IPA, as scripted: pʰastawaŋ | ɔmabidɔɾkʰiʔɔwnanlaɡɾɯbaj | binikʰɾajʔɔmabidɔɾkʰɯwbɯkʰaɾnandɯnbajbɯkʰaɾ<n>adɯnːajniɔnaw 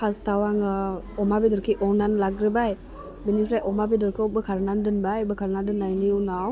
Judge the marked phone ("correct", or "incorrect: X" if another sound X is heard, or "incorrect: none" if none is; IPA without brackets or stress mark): correct